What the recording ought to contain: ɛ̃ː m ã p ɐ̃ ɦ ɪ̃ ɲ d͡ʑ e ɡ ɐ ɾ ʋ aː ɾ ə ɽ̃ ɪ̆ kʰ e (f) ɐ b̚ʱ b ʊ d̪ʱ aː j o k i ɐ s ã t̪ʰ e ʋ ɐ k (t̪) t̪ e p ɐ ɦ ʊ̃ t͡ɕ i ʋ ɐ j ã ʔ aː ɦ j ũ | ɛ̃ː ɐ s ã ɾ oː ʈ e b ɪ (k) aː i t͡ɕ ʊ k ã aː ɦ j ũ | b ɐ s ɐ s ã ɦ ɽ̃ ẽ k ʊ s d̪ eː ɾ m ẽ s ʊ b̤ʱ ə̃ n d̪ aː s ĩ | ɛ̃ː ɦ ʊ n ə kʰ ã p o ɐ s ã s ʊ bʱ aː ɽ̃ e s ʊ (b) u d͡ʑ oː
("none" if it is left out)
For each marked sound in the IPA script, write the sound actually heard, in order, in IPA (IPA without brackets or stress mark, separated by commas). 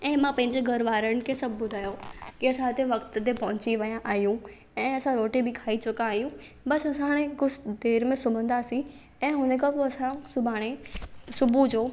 s, t̪, kʰ, b